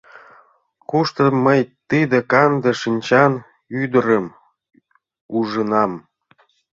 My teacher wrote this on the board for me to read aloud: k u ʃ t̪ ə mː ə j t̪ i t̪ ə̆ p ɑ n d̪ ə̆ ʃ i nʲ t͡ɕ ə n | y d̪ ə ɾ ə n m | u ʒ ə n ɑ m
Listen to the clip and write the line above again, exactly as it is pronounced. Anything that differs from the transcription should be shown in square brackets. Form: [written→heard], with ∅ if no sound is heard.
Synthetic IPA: k u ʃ t̪ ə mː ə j t̪ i [t̪→d̪] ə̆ [p→k] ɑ n d̪ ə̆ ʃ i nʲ t͡ɕ [ə→ɑ] n | y d̪ ə ɾ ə [n→∅] m | u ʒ ə n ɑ m